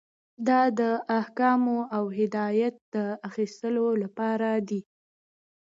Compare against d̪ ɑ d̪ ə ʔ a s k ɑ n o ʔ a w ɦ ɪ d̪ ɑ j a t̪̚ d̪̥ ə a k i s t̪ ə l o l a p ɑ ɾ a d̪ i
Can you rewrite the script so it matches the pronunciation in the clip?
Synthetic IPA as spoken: d̪ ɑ d̪ ə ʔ a h k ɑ m o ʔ a w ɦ ɪ d̪ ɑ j a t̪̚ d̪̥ ə a x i s t̪ ə l o l a p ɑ ɾ a d̪ i